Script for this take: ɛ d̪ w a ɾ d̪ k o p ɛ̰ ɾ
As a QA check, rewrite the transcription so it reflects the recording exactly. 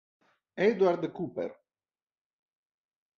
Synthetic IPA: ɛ d̪ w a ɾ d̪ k u p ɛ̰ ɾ